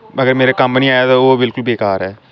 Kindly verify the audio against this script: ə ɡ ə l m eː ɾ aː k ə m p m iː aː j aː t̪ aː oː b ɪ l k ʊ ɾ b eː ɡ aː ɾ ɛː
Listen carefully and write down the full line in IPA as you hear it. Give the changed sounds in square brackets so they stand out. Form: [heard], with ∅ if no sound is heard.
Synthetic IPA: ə ɡ ə [ɾ] m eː ɾ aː k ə m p [n] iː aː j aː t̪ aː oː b ɪ l k ʊ [l] b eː [k] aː ɾ ɛː